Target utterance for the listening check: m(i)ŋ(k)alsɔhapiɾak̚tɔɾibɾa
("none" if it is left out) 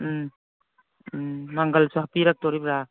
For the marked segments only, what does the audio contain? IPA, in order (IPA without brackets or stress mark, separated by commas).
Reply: a, ɡ